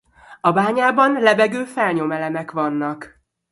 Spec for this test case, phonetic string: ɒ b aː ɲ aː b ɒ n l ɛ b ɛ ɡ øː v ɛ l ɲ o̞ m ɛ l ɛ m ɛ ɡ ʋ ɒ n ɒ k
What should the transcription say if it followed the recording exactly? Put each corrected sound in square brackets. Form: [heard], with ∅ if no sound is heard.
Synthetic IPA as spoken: ɒ b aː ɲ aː b ɒ n l ɛ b ɛ ɡ øː [f] ɛ l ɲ o̞ m ɛ l ɛ m ɛ [k] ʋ ɒ [nː] ɒ k